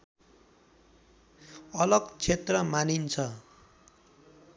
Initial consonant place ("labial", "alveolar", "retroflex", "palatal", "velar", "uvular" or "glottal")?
alveolar